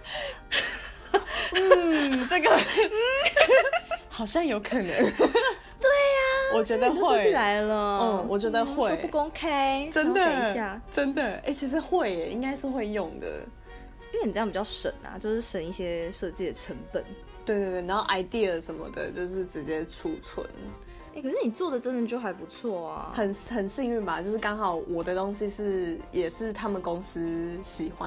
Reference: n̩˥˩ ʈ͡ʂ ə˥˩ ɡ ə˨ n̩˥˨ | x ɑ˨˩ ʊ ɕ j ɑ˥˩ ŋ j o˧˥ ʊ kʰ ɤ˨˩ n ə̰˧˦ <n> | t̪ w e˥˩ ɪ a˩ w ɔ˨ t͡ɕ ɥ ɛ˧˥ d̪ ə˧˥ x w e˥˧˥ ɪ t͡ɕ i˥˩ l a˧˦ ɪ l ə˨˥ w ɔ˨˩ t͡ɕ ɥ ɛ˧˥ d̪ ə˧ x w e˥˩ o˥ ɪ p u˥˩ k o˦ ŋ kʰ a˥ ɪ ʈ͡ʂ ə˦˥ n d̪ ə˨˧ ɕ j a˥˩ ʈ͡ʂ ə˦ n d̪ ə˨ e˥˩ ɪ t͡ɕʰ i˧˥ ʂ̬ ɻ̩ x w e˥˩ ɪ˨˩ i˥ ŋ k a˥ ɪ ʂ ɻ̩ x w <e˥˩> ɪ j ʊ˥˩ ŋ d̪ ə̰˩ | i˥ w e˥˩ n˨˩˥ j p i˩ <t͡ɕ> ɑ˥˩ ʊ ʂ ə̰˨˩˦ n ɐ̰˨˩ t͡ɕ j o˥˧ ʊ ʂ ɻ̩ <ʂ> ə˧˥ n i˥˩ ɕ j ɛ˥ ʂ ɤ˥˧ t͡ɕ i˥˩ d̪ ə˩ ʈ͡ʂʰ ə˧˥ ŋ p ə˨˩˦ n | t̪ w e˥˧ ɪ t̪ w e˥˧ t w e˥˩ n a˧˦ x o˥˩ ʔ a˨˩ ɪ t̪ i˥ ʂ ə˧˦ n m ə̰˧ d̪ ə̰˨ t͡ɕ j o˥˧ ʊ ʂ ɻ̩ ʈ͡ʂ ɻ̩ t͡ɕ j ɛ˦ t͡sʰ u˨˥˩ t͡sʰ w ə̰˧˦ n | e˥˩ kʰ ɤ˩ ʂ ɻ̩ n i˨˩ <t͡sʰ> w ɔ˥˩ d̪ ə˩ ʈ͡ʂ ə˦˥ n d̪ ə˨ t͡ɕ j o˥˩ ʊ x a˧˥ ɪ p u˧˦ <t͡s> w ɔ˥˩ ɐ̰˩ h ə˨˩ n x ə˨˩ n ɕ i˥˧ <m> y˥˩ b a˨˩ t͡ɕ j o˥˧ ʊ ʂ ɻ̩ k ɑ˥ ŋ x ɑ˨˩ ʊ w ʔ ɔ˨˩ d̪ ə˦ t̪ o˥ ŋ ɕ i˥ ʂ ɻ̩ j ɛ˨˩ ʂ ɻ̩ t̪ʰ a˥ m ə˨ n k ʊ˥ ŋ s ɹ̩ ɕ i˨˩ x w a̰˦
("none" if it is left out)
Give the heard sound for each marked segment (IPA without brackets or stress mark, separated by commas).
ŋ, e˥˧, t͡ɕ, ʂ, t͡s, t͡sʰ, ŋ